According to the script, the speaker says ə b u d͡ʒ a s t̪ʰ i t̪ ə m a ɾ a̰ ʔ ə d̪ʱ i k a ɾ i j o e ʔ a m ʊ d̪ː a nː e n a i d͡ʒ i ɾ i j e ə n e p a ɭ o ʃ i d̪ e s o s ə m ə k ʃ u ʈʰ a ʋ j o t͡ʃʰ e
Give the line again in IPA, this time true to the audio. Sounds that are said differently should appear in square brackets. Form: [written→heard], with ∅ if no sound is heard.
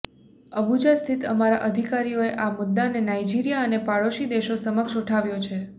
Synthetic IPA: ə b u d͡ʒ a s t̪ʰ i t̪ ə m a ɾ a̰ ʔ ə d̪ʱ i k a ɾ i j o e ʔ a m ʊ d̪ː a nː e n a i d͡ʒ i ɾ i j [e→a] ə n e p a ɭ o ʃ i d̪ e [s→ʃ] o s ə m ə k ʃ u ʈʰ a ʋ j o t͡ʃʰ e